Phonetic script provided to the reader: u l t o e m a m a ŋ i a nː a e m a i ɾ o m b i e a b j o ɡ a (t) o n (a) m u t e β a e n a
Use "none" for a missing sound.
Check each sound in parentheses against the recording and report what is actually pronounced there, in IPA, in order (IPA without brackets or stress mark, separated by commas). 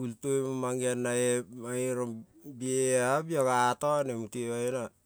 t, e